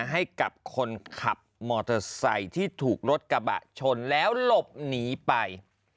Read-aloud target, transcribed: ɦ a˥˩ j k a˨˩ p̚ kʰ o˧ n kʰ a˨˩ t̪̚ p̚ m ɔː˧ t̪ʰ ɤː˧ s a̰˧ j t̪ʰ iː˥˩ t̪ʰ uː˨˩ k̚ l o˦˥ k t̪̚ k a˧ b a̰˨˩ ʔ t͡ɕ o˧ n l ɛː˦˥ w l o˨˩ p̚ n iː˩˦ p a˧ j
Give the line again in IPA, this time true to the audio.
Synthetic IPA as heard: ɦ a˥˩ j k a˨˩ p̚ kʰ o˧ n kʰ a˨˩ p̚ m ɔː˧ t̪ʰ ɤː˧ s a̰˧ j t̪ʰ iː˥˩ t̪ʰ uː˨˩ k̚ ɾ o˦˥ t̪̚ k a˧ b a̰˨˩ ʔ t͡ɕʰ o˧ n l ɛː˦˥ w l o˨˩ p̚ n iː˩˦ p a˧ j

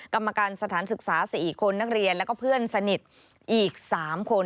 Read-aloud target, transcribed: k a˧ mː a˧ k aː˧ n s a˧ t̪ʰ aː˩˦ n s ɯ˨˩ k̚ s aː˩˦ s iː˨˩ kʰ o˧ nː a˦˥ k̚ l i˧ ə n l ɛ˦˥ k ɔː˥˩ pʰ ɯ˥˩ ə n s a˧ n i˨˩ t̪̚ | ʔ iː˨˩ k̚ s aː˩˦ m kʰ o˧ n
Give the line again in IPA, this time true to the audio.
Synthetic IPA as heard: k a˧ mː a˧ k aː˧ n s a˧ t̪ʰ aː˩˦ n s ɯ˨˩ k̚ s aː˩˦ s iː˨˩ kʰ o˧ nː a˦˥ k̚ ɾ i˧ ə n l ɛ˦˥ k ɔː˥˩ pʰ ɯ˥˩ ə n s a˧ n i˨˩ t̪̚ | ʔ iː˨˩ k̚ s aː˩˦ m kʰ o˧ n

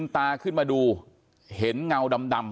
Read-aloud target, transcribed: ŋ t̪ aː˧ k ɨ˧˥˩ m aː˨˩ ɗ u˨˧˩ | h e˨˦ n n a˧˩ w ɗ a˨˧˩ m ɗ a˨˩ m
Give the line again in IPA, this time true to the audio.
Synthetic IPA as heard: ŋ t̪ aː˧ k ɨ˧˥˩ m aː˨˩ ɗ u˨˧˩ | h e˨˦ n ŋ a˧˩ w ɗ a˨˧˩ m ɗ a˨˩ m

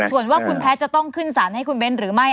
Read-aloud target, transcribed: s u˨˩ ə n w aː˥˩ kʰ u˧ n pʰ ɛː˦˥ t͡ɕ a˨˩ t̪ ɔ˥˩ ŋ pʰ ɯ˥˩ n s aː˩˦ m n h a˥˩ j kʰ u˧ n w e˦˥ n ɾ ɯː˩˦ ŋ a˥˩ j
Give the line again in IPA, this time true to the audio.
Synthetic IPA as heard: s u˨˩ ə n w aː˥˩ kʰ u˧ n pʰ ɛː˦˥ t͡ɕ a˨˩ t̪ ɔ˥˩ ŋ kʰ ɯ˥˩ n s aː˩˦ n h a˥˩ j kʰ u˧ n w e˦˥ n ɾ ɯː˩˦ m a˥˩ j

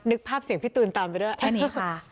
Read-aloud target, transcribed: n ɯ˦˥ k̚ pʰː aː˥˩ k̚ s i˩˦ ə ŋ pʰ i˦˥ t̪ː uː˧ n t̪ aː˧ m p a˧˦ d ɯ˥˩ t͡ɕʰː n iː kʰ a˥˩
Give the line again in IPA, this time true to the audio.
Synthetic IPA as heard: n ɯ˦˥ k̚ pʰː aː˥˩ p̚ s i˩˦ ə ŋ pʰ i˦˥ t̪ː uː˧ n t̪ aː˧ m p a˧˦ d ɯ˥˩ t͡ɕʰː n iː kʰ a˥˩

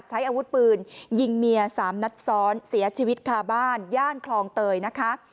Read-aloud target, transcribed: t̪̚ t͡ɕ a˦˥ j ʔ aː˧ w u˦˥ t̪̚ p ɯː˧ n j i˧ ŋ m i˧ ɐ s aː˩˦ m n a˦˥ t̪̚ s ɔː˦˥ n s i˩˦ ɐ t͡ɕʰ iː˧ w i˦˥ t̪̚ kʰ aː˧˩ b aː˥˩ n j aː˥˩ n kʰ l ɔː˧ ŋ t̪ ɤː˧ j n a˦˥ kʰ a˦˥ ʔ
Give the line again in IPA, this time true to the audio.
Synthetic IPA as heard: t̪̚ t͡ɕʰ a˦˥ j ʔ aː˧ w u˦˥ t̪̚ p ɯː˧ n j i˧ ŋ m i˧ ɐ s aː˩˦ m n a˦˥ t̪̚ s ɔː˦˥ n s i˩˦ ɐ t͡ɕʰ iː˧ w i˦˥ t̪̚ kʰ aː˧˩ b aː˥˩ n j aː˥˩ n kʰ l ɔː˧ ŋ t̪ ɤː˧ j n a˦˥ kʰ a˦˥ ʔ

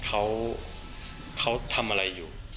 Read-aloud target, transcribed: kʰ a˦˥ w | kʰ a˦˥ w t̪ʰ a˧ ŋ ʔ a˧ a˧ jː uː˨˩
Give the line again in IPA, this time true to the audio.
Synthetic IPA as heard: kʰ a˦˥ w | kʰ a˦˥ w t̪ʰ a˧ m ʔ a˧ a˧ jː uː˨˩

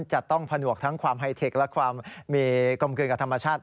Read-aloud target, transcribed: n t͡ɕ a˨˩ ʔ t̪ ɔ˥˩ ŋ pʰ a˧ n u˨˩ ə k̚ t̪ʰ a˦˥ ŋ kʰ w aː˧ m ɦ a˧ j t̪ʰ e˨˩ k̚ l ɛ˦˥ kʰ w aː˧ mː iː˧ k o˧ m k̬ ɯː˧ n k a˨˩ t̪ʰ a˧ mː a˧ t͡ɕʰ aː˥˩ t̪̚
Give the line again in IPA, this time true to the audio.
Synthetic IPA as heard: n t͡ɕ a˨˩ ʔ t̪ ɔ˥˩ ŋ pʰ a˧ n u˨˩ ə k̚ t̪ʰ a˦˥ ŋ kʰ w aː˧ m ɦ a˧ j t̪ʰ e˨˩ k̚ l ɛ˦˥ kʰ w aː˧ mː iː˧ k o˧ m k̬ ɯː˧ n k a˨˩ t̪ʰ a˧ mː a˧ t͡ɕʰ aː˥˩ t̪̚

